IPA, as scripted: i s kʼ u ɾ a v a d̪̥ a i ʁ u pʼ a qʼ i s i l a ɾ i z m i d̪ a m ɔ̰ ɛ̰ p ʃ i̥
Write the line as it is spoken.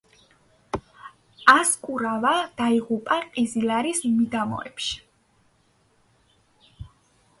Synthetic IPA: a s kʼ u ɾ a v a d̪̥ a i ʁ u pʼ a qʼ i z i l a ɾ i s m i d̪ a m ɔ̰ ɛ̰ p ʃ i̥